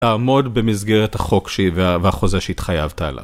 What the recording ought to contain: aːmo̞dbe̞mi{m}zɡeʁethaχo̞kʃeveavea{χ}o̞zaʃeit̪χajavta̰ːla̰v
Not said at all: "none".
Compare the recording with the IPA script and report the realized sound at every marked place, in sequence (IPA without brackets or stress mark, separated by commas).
none, χ